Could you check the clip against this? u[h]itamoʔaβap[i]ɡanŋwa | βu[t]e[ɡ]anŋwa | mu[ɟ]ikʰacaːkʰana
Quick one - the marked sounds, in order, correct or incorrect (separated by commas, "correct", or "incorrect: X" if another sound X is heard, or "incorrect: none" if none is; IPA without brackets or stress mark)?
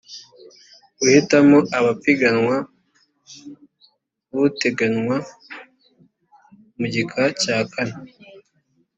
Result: correct, correct, correct, correct, correct